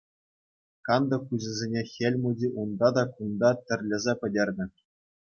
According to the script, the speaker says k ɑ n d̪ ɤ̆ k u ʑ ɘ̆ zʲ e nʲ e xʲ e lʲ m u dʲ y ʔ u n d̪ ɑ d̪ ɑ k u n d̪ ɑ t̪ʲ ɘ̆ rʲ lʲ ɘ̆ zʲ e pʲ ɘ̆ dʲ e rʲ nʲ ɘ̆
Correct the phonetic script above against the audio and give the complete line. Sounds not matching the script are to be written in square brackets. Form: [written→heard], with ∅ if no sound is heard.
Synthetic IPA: k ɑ n d̪ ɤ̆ k u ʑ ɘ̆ zʲ e nʲ e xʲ e lʲ m u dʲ [y→i] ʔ u n d̪ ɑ d̪ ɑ k u n d̪ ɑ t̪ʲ ɘ̆ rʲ lʲ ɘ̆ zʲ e pʲ ɘ̆ dʲ e rʲ nʲ ɘ̆